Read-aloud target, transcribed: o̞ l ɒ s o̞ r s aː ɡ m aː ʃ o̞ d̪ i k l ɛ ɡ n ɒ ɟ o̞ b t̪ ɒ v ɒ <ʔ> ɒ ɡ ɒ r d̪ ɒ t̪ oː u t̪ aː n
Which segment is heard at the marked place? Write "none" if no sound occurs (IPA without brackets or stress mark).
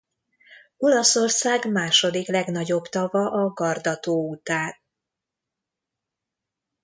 ʔ